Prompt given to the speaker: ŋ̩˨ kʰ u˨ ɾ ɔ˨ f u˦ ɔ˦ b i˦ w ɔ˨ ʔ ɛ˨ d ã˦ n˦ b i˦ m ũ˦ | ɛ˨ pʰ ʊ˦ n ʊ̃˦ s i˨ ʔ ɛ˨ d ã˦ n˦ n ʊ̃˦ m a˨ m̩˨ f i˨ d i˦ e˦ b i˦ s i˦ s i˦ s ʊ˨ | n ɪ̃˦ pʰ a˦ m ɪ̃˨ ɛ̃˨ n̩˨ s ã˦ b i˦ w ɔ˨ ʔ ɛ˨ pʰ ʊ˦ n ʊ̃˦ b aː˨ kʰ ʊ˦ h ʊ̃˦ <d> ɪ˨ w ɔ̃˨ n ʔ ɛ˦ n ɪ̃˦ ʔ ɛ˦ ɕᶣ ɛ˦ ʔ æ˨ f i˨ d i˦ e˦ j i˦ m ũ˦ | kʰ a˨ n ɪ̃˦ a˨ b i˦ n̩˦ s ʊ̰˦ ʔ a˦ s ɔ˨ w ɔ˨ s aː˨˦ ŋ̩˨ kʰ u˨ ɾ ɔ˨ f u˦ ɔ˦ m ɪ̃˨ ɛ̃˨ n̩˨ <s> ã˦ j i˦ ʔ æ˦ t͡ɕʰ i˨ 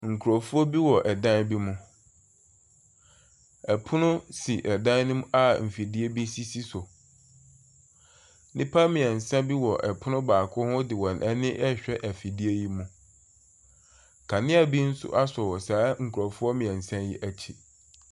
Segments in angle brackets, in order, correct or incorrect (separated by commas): correct, correct